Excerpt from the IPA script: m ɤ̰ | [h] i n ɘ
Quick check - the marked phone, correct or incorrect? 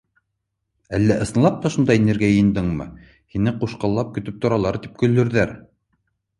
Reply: correct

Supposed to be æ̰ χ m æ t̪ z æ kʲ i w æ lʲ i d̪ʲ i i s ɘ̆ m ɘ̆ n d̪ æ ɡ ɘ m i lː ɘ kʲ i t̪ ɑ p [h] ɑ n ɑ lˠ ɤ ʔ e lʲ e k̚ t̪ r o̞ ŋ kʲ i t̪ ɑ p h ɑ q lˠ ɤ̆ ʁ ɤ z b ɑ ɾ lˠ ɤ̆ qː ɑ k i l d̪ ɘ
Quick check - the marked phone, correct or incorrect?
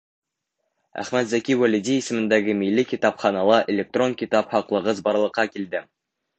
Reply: incorrect: χ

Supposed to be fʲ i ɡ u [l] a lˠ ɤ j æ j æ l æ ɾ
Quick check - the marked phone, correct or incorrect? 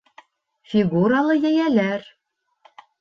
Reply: incorrect: ɾ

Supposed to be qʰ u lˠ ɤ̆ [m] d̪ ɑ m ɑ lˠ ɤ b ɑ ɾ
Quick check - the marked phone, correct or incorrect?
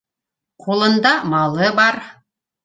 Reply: incorrect: n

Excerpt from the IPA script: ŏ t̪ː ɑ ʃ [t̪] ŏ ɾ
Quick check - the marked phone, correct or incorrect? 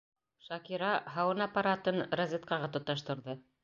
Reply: correct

